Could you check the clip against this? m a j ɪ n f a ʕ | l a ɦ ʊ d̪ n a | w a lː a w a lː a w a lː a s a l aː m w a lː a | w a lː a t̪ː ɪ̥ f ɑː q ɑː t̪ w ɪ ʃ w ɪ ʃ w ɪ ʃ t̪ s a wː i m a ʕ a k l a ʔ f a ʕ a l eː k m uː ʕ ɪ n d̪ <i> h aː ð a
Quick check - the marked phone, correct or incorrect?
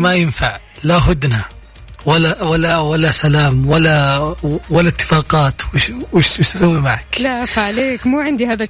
correct